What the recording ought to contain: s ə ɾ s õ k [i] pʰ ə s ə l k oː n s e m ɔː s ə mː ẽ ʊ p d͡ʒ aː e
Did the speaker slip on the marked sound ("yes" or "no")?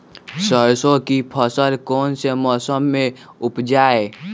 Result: no